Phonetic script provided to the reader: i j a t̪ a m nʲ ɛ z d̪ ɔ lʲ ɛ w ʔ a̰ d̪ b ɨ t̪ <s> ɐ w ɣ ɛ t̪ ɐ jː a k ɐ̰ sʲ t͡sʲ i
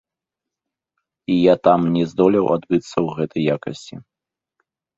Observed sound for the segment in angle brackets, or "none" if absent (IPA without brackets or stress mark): sː